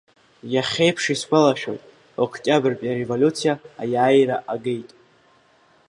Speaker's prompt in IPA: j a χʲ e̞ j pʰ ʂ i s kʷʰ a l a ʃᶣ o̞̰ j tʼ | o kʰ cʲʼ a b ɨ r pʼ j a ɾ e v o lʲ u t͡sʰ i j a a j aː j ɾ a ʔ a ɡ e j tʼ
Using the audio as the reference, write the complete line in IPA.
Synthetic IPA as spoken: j a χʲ e̞ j pʰ ʂ i s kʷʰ a l a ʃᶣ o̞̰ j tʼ | o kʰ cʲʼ a b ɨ r pʼ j a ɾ e v o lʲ u t͡sʰ i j a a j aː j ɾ a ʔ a ɡ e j tʼ